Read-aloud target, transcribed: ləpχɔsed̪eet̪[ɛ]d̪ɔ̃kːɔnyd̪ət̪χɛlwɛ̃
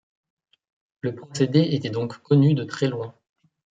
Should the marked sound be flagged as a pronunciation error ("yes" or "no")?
no